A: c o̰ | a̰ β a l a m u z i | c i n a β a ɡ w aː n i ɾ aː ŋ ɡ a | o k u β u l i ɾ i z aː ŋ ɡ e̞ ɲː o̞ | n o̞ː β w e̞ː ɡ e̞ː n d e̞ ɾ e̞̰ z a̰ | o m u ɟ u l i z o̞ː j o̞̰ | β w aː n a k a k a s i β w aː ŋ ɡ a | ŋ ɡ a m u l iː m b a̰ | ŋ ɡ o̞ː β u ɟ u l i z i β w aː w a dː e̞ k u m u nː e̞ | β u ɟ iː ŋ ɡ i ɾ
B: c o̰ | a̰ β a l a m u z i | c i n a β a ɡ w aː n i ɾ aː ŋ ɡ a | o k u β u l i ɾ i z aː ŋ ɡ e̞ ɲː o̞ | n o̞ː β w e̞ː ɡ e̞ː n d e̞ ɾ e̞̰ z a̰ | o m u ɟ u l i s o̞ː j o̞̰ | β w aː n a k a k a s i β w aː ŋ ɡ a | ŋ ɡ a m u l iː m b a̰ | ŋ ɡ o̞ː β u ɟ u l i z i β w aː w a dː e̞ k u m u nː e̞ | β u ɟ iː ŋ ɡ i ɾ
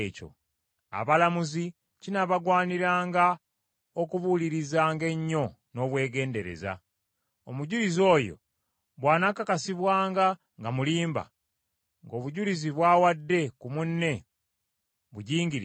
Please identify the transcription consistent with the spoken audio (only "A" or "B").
A